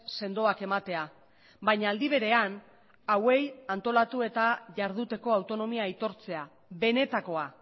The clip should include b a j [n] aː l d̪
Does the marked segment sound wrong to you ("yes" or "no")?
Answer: yes